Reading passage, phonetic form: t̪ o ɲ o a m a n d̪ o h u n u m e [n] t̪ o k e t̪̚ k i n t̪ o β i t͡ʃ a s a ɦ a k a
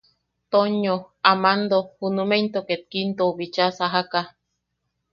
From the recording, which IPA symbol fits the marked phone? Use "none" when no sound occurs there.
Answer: n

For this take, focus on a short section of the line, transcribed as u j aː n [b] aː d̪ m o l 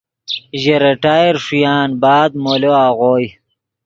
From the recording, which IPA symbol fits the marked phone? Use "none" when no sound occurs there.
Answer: b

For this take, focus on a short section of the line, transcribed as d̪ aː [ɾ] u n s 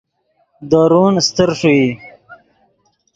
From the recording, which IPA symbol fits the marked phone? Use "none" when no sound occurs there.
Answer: ɾ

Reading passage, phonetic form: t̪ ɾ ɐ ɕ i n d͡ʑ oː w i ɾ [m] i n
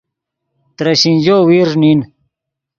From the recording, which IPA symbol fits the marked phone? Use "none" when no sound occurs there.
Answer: n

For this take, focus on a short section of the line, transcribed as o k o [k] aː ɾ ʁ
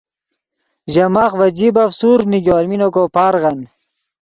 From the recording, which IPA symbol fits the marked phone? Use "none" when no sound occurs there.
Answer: p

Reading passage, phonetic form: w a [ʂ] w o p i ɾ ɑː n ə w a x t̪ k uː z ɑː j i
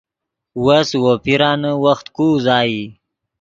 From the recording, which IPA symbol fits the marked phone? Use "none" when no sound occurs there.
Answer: s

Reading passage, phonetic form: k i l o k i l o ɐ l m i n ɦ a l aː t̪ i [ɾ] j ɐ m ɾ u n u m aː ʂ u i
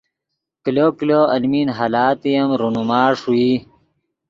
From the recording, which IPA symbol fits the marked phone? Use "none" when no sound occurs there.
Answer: none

